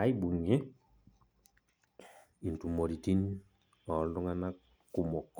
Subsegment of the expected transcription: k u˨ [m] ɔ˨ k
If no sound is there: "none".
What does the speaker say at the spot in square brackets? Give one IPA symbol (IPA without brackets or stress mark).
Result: m